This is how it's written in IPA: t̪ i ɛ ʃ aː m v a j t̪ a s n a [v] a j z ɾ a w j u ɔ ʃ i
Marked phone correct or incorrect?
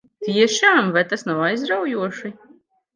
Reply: incorrect: w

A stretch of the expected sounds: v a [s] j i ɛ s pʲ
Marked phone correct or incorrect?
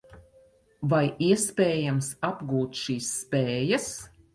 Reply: incorrect: none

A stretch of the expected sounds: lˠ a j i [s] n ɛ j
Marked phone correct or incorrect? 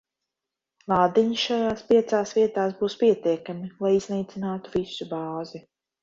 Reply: incorrect: z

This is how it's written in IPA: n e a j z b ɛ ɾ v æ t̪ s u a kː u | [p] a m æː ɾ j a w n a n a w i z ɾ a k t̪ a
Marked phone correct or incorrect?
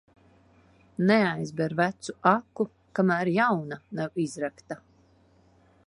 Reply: incorrect: k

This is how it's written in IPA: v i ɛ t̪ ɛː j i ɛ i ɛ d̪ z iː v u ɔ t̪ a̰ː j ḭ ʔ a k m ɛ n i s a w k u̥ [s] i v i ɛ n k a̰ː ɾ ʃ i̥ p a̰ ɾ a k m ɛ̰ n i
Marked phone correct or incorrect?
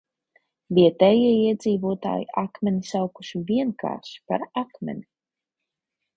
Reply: incorrect: ʃ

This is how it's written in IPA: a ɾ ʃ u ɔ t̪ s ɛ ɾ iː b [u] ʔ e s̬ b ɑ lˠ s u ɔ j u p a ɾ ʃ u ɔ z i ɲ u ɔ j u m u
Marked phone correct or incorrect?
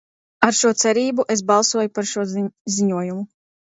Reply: correct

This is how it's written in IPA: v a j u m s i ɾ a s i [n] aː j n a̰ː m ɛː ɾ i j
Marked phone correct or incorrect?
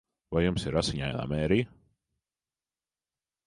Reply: incorrect: ɲ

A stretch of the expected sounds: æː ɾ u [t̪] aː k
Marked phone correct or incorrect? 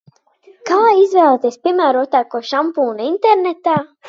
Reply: correct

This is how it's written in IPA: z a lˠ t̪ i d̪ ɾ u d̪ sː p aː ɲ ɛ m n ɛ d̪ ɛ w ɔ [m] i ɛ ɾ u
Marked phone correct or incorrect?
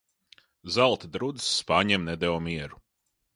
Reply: correct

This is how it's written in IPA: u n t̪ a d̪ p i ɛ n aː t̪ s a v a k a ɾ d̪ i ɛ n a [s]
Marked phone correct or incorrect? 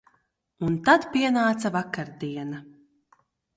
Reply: incorrect: none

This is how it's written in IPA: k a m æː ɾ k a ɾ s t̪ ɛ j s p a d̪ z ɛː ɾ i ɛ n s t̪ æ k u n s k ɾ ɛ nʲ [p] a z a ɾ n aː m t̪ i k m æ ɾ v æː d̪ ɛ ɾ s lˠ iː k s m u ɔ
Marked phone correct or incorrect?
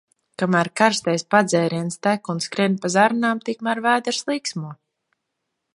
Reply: correct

